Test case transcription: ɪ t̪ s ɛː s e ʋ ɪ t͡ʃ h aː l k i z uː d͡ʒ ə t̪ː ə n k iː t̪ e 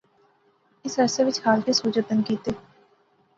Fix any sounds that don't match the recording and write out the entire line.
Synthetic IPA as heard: ɪ s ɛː s e ʋ ɪ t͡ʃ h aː l k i s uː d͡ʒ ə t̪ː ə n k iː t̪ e